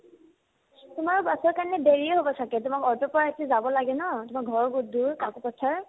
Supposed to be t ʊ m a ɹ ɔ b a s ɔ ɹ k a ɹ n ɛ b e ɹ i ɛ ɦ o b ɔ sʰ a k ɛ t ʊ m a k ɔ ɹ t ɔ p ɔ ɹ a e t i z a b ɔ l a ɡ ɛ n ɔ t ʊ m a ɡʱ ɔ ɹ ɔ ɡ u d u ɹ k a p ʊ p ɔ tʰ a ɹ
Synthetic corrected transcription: t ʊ m a ɹ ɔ b a s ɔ ɹ k a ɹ n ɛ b e ɹ i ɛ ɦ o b ɔ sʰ a k ɛ t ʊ m a k ɔ ɹ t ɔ p ɔ ɹ a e t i z a b ɔ l a ɡ ɛ n ɔ t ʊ m a ɡʱ ɔ ɹ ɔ ɡ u d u ɹ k a k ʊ p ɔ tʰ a ɹ